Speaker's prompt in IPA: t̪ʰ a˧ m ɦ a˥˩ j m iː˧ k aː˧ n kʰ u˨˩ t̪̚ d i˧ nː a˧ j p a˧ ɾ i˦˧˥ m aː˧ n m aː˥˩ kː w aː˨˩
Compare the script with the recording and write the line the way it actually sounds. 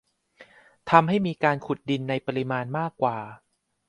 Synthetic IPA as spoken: t̪ʰ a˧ m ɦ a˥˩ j m iː˧ k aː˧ n kʰ u˨˩ t̪̚ d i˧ nː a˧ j p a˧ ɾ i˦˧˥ m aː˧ n m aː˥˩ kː w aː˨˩